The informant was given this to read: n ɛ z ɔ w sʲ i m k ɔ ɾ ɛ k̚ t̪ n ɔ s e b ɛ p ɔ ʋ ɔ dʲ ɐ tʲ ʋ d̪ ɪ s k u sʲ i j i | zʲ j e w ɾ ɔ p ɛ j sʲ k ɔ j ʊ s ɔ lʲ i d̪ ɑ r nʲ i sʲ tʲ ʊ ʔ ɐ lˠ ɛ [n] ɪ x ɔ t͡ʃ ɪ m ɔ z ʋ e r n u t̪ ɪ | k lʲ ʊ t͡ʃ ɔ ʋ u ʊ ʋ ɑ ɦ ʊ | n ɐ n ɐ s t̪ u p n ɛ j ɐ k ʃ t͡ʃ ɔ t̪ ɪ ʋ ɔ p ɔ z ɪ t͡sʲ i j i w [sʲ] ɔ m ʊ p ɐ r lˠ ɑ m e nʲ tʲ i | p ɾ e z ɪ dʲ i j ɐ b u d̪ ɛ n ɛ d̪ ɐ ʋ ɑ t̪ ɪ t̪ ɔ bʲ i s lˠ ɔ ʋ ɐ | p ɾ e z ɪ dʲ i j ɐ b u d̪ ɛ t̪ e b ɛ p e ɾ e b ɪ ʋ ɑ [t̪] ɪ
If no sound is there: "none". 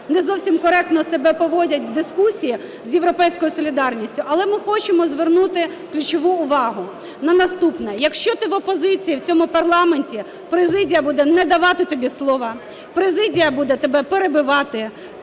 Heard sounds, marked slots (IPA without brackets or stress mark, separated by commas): m, t͡sʲ, t̪